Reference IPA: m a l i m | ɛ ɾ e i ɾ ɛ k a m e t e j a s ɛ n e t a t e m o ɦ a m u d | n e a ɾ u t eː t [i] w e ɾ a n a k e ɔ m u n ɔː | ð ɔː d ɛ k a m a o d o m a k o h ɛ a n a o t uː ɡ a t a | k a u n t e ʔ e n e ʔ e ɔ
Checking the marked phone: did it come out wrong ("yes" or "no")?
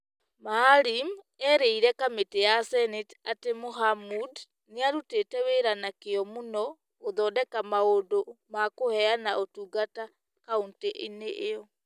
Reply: yes